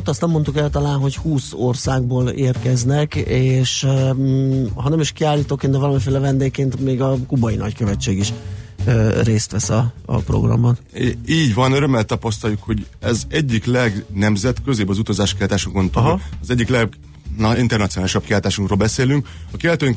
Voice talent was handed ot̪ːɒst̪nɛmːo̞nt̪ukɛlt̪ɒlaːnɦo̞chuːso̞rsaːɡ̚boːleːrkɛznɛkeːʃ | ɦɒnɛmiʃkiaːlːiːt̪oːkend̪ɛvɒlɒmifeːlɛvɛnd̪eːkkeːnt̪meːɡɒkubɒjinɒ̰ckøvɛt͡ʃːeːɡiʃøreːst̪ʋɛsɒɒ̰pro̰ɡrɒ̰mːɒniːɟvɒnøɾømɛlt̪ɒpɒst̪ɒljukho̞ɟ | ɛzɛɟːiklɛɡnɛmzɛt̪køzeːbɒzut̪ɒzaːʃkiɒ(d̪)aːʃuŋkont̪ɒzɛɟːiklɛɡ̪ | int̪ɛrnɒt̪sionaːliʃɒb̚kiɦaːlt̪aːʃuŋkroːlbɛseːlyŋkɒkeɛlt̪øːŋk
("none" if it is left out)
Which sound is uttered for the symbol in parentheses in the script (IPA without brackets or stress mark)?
t̪